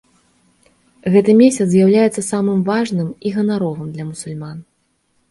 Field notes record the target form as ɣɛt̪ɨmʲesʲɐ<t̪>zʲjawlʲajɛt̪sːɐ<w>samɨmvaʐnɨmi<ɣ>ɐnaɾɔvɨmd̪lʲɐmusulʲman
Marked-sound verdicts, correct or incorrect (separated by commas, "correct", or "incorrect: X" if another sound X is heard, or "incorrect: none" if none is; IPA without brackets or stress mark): correct, incorrect: none, correct